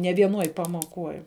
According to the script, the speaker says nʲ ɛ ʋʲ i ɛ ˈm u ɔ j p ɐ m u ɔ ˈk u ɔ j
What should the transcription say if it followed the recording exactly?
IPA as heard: nʲ ɛ ʋʲ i ɛ ˈn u ɔ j p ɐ m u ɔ ˈk u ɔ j